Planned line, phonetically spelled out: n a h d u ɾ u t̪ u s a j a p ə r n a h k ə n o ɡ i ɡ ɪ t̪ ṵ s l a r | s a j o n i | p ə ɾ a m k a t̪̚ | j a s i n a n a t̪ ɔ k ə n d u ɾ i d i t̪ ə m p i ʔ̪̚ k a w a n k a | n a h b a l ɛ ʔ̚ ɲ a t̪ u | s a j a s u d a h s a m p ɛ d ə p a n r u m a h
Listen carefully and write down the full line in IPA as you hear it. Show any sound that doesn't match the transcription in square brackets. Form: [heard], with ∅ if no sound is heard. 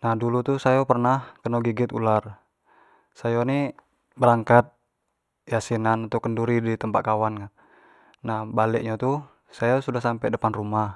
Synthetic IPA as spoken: n a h d u [l] u t̪ u s a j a p ə r n a h k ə n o ɡ i ɡ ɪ t̪ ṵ [∅] l a r | s a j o n i | [b] ə ɾ a [ŋ] k a t̪̚ | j a s i n a n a t̪ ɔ k ə n d u ɾ i d i t̪ ə m p [a] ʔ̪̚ k a w a n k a | n a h b a l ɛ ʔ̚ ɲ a t̪ u | s a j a s u d a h s a m p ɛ d ə p a n r u m a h